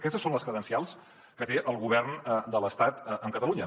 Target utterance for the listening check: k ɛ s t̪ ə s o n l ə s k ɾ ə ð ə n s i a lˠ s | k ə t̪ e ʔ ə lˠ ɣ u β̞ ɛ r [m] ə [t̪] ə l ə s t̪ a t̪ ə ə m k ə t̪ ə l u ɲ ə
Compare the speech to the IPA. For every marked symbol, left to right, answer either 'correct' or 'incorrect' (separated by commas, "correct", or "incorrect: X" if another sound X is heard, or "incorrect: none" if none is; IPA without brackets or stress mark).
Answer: incorrect: n, incorrect: d̪